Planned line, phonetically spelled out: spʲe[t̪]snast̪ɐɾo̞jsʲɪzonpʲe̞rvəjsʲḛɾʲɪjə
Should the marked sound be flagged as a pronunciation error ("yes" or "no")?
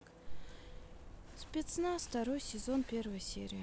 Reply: no